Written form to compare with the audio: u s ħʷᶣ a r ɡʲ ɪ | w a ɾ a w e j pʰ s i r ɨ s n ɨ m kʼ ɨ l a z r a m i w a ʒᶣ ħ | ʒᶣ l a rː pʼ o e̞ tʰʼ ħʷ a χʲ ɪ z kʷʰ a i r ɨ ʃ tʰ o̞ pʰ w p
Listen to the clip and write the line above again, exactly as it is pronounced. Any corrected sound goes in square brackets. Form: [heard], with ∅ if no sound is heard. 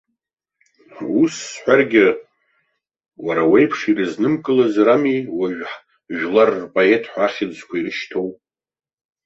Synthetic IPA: u s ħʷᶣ a r ɡʲ ɪ | w a ɾ a w e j pʰ [ʂ] i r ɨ [z] n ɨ m kʼ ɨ l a z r a m i w a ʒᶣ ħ | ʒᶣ l a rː pʼ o e̞ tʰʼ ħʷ a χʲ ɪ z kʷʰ a i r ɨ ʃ tʰ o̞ [∅] w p